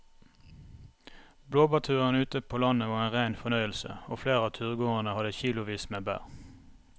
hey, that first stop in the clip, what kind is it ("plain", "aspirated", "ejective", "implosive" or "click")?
plain